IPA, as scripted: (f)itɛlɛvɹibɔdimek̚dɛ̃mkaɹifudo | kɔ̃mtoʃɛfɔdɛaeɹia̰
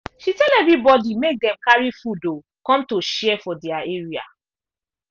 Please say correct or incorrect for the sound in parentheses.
incorrect